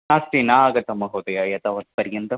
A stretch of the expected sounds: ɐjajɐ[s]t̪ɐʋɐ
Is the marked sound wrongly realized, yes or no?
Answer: yes